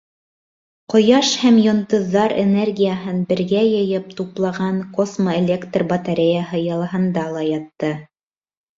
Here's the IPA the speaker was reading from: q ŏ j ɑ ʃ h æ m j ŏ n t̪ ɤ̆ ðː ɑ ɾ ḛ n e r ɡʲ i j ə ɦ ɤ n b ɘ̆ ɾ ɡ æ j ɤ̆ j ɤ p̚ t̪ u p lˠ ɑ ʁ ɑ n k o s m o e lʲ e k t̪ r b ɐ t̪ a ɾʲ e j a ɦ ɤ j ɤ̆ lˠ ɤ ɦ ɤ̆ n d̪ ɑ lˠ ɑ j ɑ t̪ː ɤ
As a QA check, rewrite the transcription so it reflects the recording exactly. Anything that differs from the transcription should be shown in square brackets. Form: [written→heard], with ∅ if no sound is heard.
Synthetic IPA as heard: q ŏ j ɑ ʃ h æ m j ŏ n t̪ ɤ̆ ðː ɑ ɾ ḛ n e r ɡʲ i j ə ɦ ɤ n b ɘ̆ ɾ ɡ æ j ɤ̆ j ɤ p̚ t̪ u p lˠ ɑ ʁ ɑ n k o s m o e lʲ e k t̪ r b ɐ t̪ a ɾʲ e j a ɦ ɤ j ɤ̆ lˠ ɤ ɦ ɤ̆ n d̪ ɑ lˠ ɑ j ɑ t̪ː ɤ

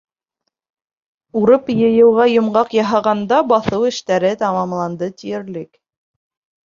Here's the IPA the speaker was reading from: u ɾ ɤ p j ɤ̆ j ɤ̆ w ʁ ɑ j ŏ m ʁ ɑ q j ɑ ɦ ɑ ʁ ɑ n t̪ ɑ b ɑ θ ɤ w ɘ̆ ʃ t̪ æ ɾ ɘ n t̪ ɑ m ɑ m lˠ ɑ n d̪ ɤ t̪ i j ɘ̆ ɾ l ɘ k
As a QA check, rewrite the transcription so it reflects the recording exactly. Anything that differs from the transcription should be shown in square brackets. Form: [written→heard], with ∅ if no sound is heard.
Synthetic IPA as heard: u ɾ ɤ p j ɤ̆ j ɤ̆ w ʁ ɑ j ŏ m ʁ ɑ q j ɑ ɦ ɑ ʁ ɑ n [t̪→d̪] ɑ b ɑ θ ɤ w ɘ̆ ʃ t̪ æ ɾ ɘ [n→∅] t̪ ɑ m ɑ m lˠ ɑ n d̪ ɤ t̪ i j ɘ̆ ɾ l ɘ k

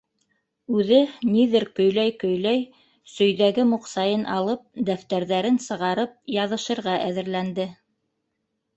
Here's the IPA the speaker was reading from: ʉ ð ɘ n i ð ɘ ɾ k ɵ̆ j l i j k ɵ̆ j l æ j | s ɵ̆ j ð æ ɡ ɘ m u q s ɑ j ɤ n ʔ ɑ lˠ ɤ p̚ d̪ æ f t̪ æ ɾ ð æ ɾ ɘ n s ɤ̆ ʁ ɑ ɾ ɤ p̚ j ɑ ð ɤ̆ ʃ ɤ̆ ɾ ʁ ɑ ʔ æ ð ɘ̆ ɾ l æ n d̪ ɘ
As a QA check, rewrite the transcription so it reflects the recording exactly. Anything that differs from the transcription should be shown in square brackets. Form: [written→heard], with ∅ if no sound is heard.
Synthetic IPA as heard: ʉ ð ɘ n i ð ɘ ɾ k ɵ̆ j l [i→æ] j k ɵ̆ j l æ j | s ɵ̆ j ð æ ɡ ɘ m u q s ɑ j ɤ n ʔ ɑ lˠ ɤ p̚ d̪ æ f t̪ æ ɾ ð æ ɾ ɘ n s ɤ̆ ʁ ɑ ɾ ɤ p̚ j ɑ ð ɤ̆ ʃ ɤ̆ ɾ ʁ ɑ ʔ æ ð ɘ̆ ɾ l æ n d̪ ɘ

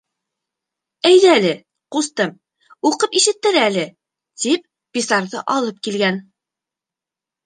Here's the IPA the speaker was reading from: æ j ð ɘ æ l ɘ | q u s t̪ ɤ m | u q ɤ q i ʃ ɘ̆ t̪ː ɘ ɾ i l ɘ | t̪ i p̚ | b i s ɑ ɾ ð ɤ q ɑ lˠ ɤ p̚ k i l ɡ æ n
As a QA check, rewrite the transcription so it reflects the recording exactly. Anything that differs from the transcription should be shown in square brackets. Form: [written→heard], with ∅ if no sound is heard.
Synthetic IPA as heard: æ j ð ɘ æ l ɘ | q u s t̪ ɤ m | u q ɤ [q→p] i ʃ ɘ̆ t̪ː ɘ ɾ [i→æ] l ɘ | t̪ i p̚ | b i s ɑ ɾ ð ɤ [q→ʔ] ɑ lˠ ɤ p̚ k i l ɡ æ n

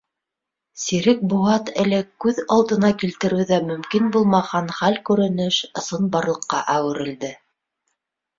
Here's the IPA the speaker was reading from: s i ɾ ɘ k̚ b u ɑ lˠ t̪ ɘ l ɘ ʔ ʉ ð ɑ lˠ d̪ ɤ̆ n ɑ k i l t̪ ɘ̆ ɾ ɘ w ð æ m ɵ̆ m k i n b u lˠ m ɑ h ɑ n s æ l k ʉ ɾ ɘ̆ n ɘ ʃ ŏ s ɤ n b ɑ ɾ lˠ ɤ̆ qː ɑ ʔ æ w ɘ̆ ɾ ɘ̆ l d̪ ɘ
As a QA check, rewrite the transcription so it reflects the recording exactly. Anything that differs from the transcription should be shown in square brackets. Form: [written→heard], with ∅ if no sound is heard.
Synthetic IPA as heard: s i ɾ ɘ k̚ b u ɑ [lˠ→∅] t̪ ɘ l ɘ [ʔ→k] ʉ ð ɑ lˠ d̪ ɤ̆ n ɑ k i l t̪ ɘ̆ ɾ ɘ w ð æ m ɵ̆ m k i n b u lˠ m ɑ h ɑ n [s→χ] æ l k ʉ ɾ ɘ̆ n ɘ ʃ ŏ s ɤ n b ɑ ɾ lˠ ɤ̆ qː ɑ ʔ æ w ɘ̆ ɾ ɘ̆ l d̪ ɘ

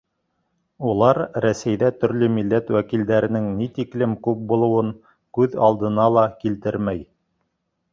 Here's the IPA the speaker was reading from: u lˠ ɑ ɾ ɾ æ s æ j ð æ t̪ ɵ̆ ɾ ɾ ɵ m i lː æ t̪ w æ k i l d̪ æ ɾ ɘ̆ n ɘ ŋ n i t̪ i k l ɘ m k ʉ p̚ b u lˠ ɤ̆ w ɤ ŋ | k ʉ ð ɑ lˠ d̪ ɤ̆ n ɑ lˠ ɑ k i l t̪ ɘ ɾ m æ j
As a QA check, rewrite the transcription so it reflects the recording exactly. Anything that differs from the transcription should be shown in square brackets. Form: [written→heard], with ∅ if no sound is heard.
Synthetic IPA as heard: u lˠ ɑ ɾ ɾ æ s æ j ð æ t̪ ɵ̆ ɾ [ɾ→l] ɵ m i lː æ t̪ w æ k i l d̪ æ ɾ ɘ̆ n ɘ ŋ n i t̪ i k l ɘ m k ʉ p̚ b u lˠ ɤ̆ w ɤ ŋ | k ʉ ð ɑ lˠ d̪ ɤ̆ n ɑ lˠ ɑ k i l t̪ ɘ ɾ m æ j

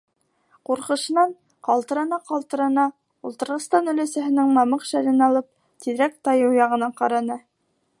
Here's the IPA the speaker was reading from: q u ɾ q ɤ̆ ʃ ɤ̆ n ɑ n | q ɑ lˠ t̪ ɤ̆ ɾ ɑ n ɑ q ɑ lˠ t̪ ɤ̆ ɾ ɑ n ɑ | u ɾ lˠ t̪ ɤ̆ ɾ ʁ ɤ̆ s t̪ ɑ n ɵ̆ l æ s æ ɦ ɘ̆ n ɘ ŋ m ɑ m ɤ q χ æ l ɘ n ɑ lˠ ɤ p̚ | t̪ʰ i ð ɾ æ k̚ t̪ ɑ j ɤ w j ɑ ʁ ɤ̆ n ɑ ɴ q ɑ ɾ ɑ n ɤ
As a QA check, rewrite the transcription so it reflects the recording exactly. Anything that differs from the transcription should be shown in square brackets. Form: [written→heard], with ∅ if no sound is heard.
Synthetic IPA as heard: q u ɾ q ɤ̆ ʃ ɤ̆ n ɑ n | q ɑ lˠ t̪ ɤ̆ ɾ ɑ n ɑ q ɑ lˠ t̪ ɤ̆ ɾ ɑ n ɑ | u [ɾ→∅] lˠ t̪ ɤ̆ ɾ ʁ ɤ̆ s t̪ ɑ n ɵ̆ l æ s æ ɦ ɘ̆ n ɘ ŋ m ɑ m ɤ q [χ→ʃ] æ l ɘ n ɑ lˠ ɤ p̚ | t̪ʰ i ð ɾ æ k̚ t̪ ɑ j ɤ w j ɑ ʁ ɤ̆ n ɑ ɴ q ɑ ɾ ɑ n ɤ

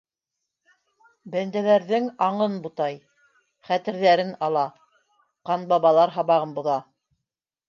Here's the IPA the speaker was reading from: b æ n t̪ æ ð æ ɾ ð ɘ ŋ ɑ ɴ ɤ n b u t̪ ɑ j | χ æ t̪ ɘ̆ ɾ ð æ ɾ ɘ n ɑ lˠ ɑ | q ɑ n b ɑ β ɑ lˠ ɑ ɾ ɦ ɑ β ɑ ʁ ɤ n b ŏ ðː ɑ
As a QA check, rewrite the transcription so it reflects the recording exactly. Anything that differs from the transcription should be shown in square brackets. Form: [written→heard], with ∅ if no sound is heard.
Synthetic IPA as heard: b æ n [t̪→d̪] æ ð æ ɾ ð ɘ ŋ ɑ ɴ ɤ n b u t̪ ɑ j | χ æ t̪ ɘ̆ ɾ ð æ ɾ ɘ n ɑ lˠ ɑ | q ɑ n b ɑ β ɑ lˠ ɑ ɾ ɦ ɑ β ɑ ʁ ɤ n b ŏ [ðː→ð] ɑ

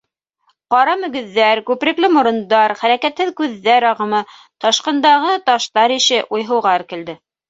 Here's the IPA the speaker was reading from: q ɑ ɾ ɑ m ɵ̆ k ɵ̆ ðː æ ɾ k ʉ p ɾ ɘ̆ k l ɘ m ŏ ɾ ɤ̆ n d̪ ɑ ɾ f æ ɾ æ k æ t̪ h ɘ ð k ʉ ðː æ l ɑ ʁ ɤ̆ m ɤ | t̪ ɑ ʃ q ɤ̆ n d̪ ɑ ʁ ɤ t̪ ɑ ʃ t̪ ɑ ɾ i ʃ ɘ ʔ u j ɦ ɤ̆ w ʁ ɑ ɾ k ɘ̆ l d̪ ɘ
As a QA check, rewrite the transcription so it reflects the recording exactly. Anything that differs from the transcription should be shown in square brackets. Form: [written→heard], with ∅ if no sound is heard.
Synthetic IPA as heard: q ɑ ɾ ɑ m ɵ̆ [k→ɡ] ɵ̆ ðː æ ɾ k ʉ p ɾ ɘ̆ k l ɘ m ŏ ɾ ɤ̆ n d̪ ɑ ɾ [f→χ] æ ɾ æ k æ t̪ h ɘ ð k ʉ ðː æ [l→ɾ] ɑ ʁ ɤ̆ m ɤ | t̪ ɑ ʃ q ɤ̆ n d̪ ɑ ʁ ɤ t̪ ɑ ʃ t̪ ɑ ɾ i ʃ ɘ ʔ u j ɦ ɤ̆ w ʁ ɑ ɾ k ɘ̆ l d̪ ɘ

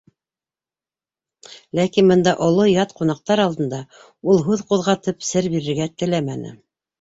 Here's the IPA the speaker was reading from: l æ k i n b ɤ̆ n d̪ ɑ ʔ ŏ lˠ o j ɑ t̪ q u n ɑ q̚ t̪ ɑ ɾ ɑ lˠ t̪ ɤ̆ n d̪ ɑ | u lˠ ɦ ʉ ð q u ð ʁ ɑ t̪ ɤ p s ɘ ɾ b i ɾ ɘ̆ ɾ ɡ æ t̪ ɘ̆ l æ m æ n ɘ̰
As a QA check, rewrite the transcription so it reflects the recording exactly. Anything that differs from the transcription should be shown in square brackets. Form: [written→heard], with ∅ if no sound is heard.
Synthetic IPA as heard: l æ k i n b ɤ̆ n d̪ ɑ ʔ ŏ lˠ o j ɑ t̪ q u n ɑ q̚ t̪ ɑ ɾ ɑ lˠ [t̪→d̪] ɤ̆ n d̪ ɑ | u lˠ ɦ ʉ ð q u ð ʁ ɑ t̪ ɤ p s ɘ ɾ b i ɾ ɘ̆ ɾ ɡ æ t̪ ɘ̆ l æ m æ n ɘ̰

